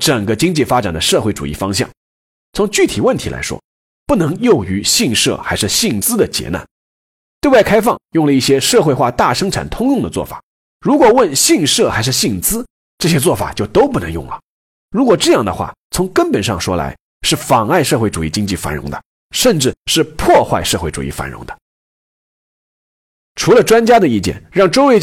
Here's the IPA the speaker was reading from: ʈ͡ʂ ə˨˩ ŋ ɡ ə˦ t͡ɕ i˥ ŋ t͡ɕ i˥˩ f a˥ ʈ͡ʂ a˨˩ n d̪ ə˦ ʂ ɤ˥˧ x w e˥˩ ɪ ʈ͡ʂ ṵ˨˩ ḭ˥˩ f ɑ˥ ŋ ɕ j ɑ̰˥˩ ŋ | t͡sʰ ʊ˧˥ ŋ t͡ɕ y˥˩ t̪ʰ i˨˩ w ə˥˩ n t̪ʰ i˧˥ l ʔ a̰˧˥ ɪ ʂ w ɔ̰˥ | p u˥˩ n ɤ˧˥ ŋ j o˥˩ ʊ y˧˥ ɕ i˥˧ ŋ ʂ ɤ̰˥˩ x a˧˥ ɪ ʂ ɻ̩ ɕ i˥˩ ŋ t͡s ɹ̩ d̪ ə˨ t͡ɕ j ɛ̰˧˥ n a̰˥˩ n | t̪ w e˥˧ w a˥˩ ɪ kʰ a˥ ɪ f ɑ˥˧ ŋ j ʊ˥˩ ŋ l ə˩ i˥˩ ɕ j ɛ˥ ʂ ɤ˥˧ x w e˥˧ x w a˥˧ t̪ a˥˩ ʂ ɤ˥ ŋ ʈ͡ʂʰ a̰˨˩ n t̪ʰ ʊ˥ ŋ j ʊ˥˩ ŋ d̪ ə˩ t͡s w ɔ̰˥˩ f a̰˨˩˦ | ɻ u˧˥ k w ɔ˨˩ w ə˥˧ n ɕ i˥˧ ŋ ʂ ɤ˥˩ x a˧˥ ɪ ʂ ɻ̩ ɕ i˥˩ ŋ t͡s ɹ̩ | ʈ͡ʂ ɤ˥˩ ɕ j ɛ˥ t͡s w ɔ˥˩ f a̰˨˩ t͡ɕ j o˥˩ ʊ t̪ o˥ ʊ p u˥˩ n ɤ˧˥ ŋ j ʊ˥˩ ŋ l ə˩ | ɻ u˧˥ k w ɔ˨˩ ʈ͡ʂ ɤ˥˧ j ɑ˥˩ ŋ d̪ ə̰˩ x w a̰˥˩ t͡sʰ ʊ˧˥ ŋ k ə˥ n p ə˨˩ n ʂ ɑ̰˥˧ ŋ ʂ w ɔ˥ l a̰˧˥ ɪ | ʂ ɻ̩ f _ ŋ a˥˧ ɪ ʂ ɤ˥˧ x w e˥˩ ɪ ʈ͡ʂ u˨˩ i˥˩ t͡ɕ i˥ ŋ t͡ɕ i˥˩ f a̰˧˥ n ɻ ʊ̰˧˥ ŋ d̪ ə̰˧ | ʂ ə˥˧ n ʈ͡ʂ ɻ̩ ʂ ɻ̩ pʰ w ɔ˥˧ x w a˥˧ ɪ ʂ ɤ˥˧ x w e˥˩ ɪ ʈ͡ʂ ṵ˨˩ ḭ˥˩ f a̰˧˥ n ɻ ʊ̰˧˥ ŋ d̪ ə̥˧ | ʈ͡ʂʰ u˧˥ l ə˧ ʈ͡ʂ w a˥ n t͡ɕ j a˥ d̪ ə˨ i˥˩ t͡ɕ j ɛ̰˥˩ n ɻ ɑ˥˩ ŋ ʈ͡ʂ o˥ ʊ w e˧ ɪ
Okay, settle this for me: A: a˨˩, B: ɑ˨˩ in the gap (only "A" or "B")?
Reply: B